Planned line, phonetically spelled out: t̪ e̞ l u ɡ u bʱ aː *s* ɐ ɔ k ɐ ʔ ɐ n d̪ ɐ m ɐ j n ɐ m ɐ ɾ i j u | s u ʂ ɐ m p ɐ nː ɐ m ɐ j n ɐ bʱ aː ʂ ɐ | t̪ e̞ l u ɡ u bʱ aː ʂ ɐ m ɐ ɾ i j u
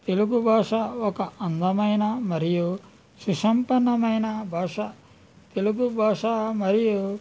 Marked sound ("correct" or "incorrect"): incorrect